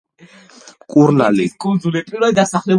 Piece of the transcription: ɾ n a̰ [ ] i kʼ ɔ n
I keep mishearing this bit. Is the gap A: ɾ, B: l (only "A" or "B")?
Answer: B